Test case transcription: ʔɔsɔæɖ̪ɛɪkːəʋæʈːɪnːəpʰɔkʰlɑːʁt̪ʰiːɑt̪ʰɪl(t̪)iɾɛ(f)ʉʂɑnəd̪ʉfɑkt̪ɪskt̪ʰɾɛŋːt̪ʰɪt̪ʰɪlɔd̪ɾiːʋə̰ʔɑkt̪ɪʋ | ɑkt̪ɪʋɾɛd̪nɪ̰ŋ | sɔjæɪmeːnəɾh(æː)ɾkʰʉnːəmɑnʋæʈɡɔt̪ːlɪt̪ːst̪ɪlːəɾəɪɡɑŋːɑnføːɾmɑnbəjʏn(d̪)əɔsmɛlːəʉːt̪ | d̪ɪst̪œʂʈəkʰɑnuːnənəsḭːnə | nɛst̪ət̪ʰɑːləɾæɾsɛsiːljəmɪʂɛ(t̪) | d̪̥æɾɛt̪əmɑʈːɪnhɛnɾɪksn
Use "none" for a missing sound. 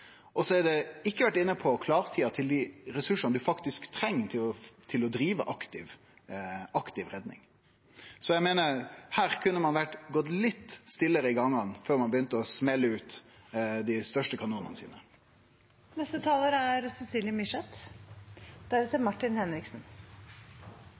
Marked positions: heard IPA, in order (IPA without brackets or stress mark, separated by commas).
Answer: d̪, s, æː, t̪, t̪